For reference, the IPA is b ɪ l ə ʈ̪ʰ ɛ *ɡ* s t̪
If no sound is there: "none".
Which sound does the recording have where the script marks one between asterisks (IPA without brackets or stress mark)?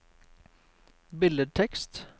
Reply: k